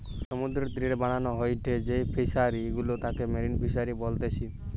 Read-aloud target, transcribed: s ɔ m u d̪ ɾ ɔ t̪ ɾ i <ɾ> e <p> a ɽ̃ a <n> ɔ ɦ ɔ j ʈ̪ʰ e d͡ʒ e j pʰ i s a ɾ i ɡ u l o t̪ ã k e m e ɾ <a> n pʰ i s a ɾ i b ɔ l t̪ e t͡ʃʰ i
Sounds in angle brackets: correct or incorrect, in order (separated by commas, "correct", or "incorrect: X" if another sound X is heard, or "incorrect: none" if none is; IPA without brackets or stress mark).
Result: correct, incorrect: b, correct, incorrect: i